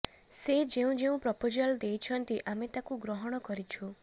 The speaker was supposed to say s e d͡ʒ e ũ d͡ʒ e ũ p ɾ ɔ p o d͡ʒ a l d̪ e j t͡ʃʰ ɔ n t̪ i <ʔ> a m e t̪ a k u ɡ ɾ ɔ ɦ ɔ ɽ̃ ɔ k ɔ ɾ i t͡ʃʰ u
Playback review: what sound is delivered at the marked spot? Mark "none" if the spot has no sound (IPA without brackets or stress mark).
ʔ